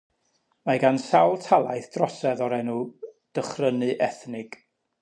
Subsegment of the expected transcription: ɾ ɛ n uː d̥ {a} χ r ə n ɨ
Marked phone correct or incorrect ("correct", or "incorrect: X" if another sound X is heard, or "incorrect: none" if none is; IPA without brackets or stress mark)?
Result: incorrect: ə